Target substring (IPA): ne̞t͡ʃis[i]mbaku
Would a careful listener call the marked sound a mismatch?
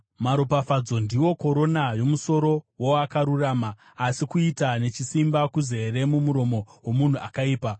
no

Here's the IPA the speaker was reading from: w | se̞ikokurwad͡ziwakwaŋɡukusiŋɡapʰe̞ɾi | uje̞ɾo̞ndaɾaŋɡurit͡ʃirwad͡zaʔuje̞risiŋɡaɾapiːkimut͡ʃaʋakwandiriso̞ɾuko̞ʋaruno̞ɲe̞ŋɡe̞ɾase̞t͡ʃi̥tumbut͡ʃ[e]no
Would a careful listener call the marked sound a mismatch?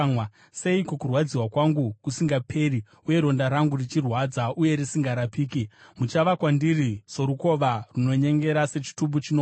yes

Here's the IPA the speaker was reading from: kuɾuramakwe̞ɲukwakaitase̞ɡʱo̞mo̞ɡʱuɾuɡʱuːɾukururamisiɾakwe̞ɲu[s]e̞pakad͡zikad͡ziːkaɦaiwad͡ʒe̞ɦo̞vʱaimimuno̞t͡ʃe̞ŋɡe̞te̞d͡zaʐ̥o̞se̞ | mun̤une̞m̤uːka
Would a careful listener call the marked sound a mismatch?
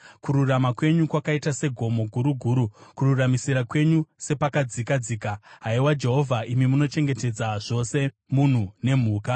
no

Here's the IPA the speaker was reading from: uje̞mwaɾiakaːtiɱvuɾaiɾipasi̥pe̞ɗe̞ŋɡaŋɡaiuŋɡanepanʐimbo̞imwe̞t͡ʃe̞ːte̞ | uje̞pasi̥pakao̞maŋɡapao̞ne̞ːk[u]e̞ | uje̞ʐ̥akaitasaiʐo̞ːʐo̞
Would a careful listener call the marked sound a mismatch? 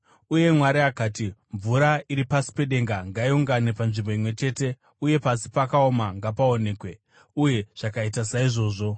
yes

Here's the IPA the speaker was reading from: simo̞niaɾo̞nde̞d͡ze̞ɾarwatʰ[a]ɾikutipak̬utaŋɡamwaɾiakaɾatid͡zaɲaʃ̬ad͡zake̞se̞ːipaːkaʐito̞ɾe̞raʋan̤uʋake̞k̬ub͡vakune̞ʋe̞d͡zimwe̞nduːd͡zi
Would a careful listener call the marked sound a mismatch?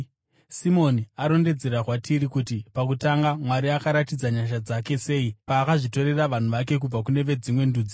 yes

